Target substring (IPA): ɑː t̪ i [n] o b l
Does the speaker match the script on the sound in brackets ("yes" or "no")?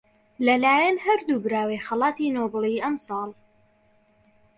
yes